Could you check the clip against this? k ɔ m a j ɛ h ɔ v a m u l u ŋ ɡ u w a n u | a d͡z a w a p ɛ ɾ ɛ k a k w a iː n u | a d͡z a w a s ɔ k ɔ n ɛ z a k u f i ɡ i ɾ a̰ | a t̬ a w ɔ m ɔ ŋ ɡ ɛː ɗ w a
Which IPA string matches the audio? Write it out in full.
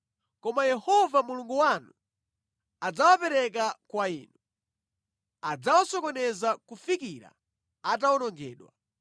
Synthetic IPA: k ɔ m a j ɛ h ɔ v a m u l u ŋ ɡ u w a n u | a d͡z a w a p ɛ ɾ ɛ k a k w a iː n u | a d͡z a w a s ɔ k ɔ n ɛ z a k u f i k i ɾ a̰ | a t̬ a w ɔ n ɔ ŋ ɡ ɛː ɗ w a